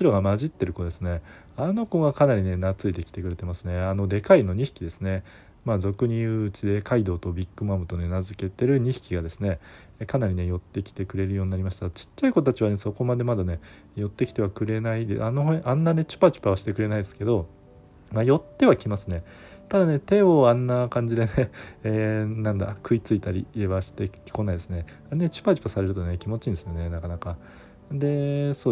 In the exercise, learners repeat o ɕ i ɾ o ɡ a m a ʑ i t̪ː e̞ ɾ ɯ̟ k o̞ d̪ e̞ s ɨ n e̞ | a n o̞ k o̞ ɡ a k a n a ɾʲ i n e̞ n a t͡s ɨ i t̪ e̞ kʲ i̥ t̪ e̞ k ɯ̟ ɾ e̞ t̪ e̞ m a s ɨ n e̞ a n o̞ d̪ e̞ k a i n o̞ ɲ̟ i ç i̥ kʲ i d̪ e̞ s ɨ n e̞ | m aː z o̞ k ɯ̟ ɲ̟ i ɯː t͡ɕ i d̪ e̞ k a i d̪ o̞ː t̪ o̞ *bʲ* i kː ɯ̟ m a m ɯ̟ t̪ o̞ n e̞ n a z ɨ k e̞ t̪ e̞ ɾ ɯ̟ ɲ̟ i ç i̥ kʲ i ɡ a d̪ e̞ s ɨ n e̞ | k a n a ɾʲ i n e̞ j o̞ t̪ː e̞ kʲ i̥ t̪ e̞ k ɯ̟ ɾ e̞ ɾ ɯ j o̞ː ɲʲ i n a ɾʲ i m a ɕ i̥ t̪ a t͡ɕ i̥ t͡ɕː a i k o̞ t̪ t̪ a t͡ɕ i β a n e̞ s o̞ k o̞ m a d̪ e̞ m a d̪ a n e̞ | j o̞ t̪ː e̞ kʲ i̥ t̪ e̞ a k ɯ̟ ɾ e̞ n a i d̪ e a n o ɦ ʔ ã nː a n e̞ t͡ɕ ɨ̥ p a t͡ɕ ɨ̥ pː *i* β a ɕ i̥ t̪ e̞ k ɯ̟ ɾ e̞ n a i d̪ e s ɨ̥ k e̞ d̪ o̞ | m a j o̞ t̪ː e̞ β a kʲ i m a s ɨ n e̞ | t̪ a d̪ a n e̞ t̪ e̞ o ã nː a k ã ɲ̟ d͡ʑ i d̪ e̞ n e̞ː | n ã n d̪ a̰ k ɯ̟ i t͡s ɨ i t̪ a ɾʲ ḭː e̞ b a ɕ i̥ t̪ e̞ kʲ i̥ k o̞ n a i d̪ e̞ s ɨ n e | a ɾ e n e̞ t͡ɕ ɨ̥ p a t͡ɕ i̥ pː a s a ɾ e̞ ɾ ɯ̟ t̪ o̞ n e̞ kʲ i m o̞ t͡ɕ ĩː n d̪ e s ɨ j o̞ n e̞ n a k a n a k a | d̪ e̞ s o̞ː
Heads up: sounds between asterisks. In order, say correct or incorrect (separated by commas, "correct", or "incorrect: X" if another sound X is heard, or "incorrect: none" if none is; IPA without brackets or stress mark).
correct, incorrect: a